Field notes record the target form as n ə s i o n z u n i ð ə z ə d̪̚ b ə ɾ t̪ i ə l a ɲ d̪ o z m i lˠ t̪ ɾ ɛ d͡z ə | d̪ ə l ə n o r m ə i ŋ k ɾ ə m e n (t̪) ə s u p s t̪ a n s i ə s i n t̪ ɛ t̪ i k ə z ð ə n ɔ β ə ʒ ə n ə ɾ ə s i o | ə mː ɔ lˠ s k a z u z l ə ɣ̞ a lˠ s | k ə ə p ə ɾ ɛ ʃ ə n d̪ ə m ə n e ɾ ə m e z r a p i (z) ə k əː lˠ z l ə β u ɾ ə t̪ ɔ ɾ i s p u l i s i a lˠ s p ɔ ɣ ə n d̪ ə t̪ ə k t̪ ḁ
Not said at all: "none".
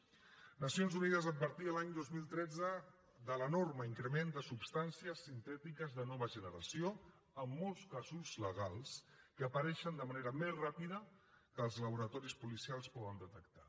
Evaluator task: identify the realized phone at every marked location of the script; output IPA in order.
d̪, ð

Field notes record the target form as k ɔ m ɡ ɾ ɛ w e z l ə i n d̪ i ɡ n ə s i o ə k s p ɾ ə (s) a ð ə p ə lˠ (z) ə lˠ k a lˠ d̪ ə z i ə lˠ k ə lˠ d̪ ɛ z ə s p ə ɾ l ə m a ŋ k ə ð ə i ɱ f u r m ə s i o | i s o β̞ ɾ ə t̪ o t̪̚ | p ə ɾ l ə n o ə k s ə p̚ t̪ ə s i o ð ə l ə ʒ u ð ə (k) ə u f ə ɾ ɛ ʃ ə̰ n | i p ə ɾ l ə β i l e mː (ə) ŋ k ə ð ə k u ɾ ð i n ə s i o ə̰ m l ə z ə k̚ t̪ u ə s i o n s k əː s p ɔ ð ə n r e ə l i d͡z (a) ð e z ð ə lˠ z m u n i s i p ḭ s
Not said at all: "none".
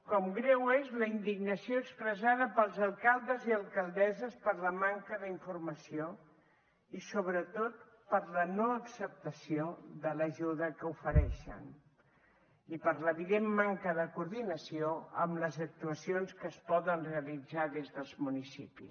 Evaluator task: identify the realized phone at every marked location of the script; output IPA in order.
z, z, k, a, a

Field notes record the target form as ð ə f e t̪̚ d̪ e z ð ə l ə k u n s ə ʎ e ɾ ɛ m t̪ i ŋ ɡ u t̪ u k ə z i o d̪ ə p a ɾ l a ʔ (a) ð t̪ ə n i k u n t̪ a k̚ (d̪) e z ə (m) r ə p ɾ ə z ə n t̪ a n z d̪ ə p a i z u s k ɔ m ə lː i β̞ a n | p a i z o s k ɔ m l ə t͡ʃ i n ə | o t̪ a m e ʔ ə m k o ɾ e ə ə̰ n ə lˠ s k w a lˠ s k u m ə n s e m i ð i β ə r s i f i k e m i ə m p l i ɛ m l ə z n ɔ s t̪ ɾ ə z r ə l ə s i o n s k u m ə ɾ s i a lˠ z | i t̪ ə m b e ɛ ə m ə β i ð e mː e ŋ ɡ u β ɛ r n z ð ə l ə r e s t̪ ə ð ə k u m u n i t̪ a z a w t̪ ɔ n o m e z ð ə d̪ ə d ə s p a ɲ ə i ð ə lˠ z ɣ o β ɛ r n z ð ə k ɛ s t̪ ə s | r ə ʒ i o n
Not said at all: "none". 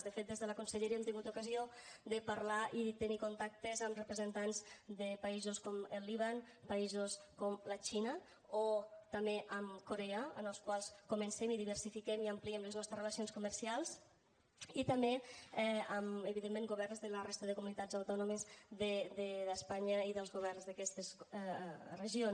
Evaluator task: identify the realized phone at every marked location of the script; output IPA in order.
i, t̪, m

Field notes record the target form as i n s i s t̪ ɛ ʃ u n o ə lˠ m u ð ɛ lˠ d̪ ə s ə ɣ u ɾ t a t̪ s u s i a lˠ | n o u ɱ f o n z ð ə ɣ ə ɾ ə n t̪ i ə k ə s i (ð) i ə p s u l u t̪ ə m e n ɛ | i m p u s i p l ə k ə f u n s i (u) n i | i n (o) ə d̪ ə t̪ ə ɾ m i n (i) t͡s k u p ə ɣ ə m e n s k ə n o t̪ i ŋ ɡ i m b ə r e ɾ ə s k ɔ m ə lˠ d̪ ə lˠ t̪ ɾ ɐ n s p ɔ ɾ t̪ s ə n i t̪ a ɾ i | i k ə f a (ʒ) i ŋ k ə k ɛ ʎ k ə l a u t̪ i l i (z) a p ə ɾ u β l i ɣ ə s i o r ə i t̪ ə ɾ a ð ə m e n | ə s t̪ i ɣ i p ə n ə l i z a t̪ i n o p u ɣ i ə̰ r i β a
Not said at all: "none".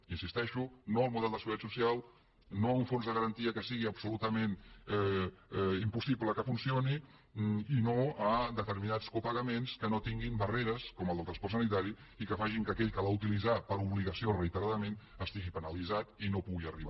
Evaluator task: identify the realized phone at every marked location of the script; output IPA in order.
ɣ, o, o, a, ʒ, z

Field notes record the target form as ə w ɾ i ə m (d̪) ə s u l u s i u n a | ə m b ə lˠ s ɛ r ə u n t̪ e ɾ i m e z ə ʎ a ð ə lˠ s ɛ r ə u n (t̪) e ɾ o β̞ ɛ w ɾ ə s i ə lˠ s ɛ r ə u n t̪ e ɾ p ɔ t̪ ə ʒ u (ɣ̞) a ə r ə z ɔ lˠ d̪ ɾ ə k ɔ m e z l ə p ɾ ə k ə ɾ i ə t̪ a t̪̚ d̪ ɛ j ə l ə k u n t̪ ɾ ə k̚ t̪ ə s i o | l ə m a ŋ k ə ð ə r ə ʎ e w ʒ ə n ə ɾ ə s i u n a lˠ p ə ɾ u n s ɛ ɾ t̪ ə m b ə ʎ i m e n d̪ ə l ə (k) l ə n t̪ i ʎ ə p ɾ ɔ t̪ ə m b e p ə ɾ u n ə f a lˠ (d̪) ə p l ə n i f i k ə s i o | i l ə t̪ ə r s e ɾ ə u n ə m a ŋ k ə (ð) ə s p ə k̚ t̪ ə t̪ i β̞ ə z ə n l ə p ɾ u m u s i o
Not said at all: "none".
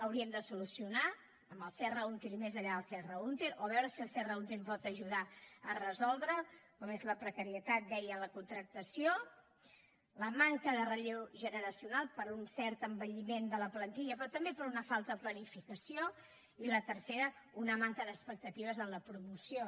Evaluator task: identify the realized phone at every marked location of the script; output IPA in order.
d̪, t̪, ð̞, p, t̪, ð

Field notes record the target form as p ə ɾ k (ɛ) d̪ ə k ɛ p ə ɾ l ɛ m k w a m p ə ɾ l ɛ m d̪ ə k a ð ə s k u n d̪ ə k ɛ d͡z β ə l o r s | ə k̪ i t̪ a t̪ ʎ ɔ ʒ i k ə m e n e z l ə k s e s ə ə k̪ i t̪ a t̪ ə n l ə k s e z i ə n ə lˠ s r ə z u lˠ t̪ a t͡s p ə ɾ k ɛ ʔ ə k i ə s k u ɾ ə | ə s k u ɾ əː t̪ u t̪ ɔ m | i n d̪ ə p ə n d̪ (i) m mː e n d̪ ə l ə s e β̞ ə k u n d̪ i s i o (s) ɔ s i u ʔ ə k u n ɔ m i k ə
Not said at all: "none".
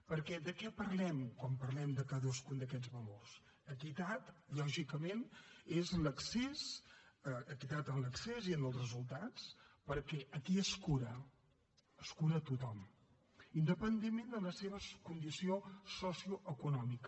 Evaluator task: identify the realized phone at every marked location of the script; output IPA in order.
ɛ, e, s

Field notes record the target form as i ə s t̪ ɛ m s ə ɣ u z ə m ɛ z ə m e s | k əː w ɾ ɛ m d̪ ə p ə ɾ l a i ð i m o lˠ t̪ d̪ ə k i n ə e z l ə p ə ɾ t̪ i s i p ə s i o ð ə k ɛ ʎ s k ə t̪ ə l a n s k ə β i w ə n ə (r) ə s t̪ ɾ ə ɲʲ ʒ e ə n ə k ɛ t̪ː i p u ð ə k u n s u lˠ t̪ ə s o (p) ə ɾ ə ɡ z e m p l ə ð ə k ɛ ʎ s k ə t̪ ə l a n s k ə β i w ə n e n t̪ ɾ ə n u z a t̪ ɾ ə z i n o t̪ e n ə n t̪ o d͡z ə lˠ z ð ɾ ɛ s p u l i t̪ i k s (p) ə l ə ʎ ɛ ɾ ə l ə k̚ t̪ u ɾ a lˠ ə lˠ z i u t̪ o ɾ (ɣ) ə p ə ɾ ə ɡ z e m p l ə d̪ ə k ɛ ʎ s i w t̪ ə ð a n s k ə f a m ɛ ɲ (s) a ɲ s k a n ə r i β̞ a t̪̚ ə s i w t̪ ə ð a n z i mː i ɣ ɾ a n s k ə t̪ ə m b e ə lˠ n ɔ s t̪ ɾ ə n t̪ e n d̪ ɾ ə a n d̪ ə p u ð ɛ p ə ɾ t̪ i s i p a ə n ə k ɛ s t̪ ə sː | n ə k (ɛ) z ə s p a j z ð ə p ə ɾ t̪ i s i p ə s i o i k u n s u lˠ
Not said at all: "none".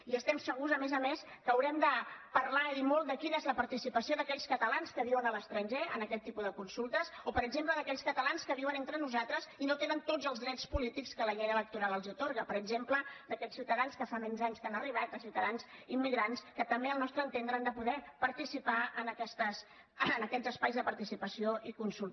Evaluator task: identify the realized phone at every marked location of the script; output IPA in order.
l, p, k, ɣ, z, ɛ

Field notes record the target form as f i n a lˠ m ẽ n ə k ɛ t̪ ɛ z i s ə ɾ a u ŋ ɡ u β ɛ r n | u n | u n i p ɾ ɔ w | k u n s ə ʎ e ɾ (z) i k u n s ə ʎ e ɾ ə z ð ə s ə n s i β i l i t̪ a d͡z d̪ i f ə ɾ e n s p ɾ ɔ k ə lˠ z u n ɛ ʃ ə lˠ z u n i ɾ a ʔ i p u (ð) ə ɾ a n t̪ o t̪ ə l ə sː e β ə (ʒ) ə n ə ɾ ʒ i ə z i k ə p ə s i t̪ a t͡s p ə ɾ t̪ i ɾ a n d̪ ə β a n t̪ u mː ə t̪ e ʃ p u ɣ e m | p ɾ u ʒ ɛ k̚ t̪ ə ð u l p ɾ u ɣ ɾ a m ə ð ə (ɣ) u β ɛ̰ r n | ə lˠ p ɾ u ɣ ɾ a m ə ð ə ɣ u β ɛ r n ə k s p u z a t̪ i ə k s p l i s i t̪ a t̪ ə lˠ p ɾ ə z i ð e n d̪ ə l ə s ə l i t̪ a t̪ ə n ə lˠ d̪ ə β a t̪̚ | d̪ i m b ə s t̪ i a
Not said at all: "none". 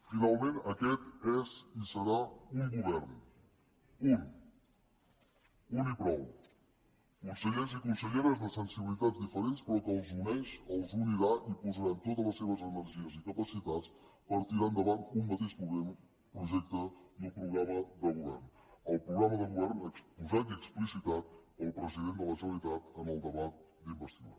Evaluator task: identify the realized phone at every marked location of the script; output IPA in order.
z, z, z, ɣ

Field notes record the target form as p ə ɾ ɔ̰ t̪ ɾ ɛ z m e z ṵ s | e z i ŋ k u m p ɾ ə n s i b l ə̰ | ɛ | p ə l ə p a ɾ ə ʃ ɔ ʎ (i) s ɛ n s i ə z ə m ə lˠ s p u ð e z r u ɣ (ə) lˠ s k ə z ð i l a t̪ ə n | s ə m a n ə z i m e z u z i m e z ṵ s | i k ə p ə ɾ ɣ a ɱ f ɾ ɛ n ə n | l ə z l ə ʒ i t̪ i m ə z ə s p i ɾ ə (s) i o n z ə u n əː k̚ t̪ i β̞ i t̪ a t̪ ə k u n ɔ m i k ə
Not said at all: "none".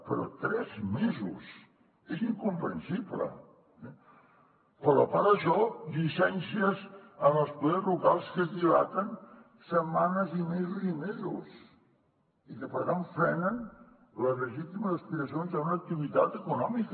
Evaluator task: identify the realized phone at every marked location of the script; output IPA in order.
i, a, s

